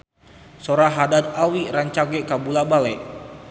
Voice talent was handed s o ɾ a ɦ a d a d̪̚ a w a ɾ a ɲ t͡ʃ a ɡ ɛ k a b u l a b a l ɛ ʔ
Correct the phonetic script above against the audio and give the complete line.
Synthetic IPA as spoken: s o ɾ a ɦ a d a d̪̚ a w i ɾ a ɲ t͡ʃ a ɡ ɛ k a b u l a b a l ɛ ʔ

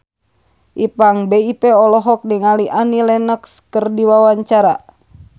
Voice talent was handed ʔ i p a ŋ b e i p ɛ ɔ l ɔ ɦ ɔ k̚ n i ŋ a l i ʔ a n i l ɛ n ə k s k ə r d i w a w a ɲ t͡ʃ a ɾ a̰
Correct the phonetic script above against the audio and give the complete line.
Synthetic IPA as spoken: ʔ i p a ŋ b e i p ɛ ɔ l ɔ ɦ ɔ k̚ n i ŋ a l i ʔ a n i l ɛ n ə k s k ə r d i w a w a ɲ t͡ʃ a ɾ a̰

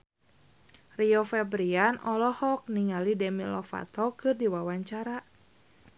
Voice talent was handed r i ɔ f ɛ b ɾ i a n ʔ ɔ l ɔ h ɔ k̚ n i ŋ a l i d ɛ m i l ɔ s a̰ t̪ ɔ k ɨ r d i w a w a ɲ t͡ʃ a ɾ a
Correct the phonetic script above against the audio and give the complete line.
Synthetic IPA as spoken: r i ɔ f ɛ b ɾ i a n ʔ ɔ l ɔ h ɔ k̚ n i ŋ a l i d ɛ m i l ɔ f a̰ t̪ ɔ k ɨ r d i w a w a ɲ t͡ʃ a ɾ a

